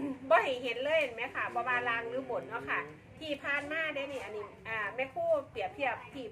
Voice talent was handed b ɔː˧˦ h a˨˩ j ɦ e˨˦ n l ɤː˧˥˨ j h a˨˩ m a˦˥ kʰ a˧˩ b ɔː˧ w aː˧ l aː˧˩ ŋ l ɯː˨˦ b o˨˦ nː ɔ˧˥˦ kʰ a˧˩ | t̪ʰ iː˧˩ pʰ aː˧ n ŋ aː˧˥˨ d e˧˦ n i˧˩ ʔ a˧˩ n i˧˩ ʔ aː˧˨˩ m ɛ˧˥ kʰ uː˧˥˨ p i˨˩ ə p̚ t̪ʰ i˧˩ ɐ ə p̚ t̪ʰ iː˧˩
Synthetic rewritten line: b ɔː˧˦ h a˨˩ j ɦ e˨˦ n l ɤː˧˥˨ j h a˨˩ m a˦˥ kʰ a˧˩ b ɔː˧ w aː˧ l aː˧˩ ŋ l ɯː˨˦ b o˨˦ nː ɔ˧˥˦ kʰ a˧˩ | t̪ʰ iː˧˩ pʰ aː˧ n m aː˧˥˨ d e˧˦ n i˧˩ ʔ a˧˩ n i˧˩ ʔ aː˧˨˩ m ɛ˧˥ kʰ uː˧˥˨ p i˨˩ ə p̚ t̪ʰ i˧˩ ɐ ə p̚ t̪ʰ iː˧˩

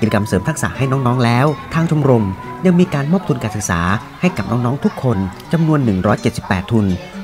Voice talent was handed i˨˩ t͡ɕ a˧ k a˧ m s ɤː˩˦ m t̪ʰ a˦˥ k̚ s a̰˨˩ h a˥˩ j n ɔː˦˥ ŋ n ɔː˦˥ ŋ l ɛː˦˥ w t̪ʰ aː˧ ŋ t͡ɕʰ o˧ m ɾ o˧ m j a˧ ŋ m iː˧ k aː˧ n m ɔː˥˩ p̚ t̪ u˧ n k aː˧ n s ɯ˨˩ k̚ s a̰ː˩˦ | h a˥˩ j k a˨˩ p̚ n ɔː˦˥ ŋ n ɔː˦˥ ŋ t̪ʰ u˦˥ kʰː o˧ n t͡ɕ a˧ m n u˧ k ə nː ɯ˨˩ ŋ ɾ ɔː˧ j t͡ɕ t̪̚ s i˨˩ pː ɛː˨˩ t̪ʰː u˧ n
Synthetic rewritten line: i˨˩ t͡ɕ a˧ k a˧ m s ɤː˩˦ m t̪ʰ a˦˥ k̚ s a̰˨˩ h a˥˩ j n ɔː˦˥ ŋ n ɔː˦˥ ŋ l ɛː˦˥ w t̪ʰ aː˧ ŋ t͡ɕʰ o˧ m ɾ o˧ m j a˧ ŋ m iː˧ k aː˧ n m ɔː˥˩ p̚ t̪ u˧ n k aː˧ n s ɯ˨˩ k̚ s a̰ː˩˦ | h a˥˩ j k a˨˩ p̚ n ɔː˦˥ ŋ n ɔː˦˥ ŋ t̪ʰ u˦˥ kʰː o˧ n t͡ɕ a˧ m n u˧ ə nː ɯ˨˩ ŋ ɾ ɔː˦˥ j t͡ɕ t̪̚ s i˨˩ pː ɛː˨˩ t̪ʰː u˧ n

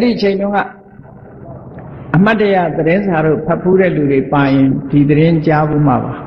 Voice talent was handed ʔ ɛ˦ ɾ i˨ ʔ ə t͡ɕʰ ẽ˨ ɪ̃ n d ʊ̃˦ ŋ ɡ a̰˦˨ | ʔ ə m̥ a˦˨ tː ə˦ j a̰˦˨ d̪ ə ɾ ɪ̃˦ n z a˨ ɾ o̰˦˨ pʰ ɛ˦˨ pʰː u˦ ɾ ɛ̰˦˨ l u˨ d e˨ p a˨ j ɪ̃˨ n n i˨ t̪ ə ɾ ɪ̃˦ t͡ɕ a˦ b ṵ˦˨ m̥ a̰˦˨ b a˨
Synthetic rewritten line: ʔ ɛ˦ ɾ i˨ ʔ ə t͡ɕʰ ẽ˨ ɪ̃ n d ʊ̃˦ ŋ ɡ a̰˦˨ | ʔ ə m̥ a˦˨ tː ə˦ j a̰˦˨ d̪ ə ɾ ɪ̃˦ n z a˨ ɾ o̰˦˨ pʰ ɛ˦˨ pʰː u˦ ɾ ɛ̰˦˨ l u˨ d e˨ p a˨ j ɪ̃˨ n d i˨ d̪ ə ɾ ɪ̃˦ t͡ɕ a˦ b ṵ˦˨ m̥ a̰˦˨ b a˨

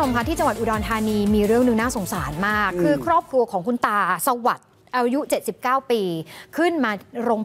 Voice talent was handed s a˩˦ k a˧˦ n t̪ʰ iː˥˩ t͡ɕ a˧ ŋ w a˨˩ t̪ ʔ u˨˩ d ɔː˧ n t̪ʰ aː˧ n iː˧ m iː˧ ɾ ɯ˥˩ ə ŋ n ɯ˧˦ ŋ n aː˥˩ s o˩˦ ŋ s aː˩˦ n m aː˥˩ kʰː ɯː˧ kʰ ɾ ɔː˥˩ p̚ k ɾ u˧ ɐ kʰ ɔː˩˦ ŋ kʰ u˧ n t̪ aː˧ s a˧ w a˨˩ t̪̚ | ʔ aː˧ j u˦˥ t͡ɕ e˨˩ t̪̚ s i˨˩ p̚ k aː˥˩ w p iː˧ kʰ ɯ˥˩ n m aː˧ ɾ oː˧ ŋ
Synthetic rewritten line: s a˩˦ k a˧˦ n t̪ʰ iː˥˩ t͡ɕ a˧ ŋ w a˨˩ t̪ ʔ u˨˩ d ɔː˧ n t̪ʰ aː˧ n iː˧ m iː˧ ɾ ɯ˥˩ ə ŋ n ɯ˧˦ ŋ n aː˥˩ s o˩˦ ŋ s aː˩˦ n m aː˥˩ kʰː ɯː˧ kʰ ɾ ɔː˥˩ p̚ k ɾ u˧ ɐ kʰ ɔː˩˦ ŋ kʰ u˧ n t̪ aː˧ s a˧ w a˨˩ t̪̚ | ʔ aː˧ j u˦˥ t͡ɕ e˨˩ t̪̚ s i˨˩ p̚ k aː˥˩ w p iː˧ kʰ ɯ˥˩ n m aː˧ ɾ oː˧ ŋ

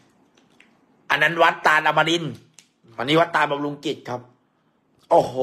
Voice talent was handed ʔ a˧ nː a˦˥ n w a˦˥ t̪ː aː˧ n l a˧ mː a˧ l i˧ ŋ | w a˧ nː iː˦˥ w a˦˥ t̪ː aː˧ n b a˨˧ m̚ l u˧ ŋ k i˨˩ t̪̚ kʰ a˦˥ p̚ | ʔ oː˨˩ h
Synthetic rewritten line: ʔ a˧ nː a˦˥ n w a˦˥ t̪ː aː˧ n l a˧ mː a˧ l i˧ n | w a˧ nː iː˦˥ w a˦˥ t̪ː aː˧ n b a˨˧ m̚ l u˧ ŋ k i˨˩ t̪̚ kʰ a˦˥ p̚ | ʔ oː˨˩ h

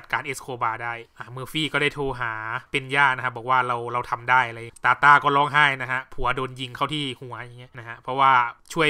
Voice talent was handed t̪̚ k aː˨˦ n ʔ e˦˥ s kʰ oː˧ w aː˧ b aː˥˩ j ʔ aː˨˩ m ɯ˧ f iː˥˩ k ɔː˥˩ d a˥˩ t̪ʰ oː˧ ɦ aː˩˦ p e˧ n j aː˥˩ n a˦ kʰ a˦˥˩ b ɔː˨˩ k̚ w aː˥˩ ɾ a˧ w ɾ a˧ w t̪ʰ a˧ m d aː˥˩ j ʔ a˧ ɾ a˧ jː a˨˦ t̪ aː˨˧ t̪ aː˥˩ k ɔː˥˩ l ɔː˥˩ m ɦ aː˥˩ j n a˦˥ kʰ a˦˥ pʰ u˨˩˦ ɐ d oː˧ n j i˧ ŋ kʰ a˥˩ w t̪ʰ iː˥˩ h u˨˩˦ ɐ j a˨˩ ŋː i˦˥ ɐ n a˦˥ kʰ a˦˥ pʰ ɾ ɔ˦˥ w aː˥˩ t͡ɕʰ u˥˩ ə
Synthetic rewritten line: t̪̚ k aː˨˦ n ʔ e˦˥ s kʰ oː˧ b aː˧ d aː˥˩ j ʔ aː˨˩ m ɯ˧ f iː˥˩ k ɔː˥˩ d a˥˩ t̪ʰ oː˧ ɦ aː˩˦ p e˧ n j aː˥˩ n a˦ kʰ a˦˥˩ b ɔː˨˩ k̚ w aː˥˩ ɾ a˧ w ɾ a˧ w t̪ʰ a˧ m d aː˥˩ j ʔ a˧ ɾ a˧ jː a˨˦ t̪ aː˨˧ t̪ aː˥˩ k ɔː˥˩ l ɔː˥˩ ŋ ɦ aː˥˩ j n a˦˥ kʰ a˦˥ pʰ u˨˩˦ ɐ d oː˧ n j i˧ ŋ kʰ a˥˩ w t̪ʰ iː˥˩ h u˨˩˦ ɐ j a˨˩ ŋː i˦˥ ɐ n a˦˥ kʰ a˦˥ pʰ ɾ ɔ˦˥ w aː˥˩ t͡ɕʰ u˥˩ ə

